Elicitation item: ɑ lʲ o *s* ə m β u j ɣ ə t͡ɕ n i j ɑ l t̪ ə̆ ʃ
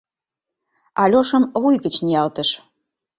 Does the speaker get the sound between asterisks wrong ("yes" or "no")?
yes